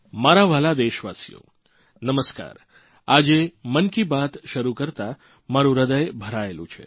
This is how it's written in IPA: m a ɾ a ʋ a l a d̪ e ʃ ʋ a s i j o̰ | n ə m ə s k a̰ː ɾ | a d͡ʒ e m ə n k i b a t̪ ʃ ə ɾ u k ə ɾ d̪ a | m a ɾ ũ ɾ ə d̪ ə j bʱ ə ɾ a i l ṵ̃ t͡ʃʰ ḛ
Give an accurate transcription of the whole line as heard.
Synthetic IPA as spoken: m a ɾ a ʋ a l a d̪ e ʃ ʋ a s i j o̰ | n ə m ə s k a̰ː ɾ | a d͡ʒ e m ə n k i b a t̪ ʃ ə ɾ u k ə ɾ t̪ a | m a ɾ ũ ɾ ə d̪ ə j bʱ ə ɾ a e l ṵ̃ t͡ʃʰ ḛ

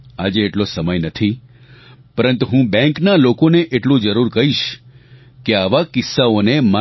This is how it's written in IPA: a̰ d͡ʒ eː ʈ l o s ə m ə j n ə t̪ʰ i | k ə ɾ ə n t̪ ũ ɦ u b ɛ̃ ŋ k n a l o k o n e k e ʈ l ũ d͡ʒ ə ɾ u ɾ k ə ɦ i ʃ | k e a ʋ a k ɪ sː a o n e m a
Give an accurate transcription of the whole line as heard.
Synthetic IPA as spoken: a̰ d͡ʒ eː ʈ l o s ə m ə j n ə t̪ʰ i | p ə ɾ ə n t̪ u ɦ ũ b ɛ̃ ŋ k n a l o k o n e ʔ e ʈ l ũ d͡ʒ ə ɾ u ɾ k ə ɦ i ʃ | k e a ʋ a k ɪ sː a o n e m a

